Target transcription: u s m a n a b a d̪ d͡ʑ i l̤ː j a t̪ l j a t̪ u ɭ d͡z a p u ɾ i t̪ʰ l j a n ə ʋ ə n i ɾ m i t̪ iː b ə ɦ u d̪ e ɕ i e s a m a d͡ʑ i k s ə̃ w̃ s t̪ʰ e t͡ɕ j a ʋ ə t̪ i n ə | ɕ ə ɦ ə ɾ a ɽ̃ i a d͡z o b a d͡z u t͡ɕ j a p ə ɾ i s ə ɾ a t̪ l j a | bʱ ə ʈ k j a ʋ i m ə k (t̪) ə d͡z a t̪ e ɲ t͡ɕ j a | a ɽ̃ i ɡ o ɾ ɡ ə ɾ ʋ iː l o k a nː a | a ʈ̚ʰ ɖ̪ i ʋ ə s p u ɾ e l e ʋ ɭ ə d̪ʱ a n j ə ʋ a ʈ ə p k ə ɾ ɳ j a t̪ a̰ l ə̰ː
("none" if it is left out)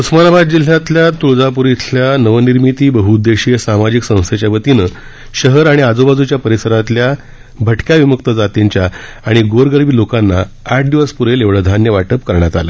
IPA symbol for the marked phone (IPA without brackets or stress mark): t̪